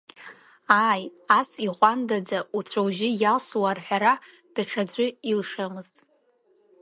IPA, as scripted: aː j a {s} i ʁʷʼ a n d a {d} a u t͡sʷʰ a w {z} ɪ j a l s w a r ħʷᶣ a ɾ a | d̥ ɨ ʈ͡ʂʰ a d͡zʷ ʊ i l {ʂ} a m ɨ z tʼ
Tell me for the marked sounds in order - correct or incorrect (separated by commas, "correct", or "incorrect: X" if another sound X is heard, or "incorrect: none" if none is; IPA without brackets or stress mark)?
correct, incorrect: d͡z, incorrect: ʒ, correct